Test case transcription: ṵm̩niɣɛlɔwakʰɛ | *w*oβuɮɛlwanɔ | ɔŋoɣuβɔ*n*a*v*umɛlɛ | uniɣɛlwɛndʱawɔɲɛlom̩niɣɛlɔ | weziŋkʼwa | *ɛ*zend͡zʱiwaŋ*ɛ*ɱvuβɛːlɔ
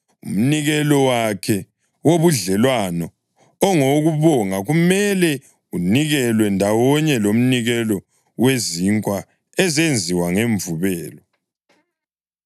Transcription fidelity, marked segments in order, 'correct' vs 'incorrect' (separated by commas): correct, incorrect, incorrect, correct, incorrect